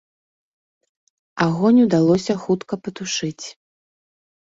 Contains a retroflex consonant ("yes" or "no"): yes